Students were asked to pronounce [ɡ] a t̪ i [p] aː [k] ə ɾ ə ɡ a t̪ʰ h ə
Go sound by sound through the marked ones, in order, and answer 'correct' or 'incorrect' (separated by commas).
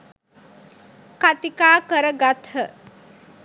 incorrect, incorrect, correct